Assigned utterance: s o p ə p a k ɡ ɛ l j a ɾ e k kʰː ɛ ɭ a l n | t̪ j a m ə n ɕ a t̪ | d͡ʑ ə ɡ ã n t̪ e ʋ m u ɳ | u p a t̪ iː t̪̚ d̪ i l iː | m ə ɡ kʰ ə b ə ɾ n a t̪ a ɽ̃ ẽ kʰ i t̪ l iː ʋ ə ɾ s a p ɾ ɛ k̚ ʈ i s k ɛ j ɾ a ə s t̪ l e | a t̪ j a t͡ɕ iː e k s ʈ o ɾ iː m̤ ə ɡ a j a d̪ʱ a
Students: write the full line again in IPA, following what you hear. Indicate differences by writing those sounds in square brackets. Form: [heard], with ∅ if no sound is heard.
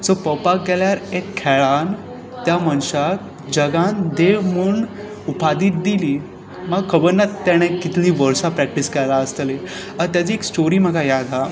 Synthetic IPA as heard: s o p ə p a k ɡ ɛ l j a ɾ e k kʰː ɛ ɭ a [∅] n | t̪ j a m ə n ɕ a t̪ | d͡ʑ ə ɡ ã n [d̪] e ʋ m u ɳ | u p a [d̪] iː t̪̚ d̪ i l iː | m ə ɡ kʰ ə b ə ɾ n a t̪ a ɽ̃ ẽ [k] i t̪ l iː ʋ ə ɾ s a p ɾ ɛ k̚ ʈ i s k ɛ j [l] a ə s t̪ l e | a t̪ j a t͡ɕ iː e k s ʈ o ɾ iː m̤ ə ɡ a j a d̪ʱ a